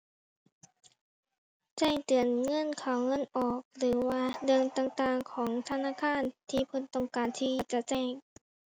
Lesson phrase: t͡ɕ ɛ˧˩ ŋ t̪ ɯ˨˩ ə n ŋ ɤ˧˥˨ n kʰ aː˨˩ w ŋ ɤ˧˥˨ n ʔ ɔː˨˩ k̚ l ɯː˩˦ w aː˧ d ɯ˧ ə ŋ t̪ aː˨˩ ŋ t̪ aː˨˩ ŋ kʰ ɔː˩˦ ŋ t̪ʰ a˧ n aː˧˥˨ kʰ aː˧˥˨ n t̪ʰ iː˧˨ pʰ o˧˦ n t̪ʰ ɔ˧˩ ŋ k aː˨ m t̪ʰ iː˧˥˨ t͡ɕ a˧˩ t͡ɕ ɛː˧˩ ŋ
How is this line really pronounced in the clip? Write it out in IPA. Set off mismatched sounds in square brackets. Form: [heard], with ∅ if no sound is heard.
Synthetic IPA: t͡ɕ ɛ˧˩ ŋ t̪ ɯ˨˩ ə n ŋ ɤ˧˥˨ n kʰ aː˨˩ w ŋ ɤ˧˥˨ n ʔ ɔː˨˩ k̚ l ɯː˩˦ w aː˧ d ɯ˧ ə ŋ t̪ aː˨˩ ŋ t̪ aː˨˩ ŋ kʰ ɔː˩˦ ŋ t̪ʰ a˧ n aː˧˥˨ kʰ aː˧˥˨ n t̪ʰ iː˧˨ pʰ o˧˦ n [t̪] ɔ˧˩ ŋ k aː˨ [n] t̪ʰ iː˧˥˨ t͡ɕ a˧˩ t͡ɕ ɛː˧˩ ŋ